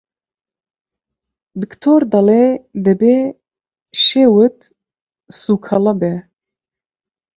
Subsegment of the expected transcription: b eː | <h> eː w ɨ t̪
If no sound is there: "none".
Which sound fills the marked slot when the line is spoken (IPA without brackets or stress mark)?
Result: ʃ